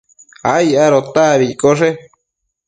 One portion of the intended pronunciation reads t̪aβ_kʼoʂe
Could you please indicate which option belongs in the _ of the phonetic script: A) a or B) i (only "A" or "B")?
B